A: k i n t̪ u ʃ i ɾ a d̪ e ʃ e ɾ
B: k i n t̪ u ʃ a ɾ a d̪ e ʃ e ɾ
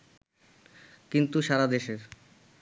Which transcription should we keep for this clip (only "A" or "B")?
B